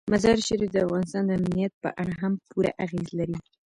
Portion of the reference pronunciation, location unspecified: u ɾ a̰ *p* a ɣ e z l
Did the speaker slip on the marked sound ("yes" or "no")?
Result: yes